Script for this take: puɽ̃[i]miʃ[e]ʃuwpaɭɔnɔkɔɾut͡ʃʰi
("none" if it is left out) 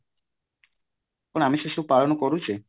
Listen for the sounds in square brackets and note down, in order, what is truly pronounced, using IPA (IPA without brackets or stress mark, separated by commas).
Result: a, e